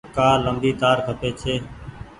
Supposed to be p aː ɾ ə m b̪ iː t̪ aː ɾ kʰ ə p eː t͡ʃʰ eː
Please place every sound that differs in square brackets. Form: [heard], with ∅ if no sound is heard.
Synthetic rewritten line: [k] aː [l] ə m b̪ iː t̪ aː ɾ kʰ ə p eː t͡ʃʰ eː